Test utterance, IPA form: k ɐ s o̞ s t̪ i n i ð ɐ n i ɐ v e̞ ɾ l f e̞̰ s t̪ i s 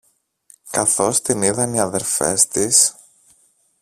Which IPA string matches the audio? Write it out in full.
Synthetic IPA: k ɐ θ o̞ s t̪ i n i ð ɐ n i ɐ ð e̞ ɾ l f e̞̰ s t̪ i s